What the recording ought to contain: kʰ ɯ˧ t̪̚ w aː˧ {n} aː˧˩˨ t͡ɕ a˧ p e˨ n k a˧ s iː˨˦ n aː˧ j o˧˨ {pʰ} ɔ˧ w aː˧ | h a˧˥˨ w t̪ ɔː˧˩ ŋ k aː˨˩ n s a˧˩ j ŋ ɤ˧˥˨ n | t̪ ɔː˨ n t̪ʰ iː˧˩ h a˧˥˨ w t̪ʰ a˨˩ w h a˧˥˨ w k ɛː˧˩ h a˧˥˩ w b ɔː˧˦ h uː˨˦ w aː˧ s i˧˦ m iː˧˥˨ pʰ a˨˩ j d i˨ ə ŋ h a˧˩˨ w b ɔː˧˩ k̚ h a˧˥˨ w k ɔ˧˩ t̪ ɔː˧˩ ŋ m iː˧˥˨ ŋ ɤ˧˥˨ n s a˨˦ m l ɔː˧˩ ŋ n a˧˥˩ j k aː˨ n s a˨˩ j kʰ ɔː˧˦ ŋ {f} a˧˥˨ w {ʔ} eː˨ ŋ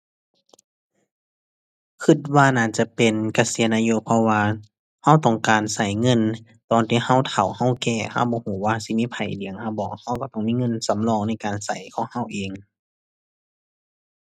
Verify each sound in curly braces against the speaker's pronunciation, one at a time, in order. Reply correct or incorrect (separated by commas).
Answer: correct, correct, incorrect, correct